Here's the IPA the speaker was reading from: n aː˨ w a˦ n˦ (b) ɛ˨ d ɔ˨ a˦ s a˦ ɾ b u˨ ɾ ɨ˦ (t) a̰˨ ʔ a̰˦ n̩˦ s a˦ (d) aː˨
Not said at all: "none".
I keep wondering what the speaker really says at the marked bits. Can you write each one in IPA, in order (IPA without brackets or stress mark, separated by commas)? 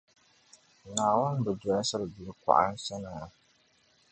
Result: b, k, n